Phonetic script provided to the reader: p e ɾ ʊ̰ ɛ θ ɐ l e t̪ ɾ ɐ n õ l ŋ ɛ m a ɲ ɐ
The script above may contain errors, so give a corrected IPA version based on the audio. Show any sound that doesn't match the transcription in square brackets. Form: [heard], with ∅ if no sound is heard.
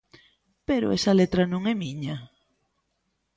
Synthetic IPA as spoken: p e ɾ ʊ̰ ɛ [s] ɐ l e t̪ ɾ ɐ n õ [∅] ŋ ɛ m [i] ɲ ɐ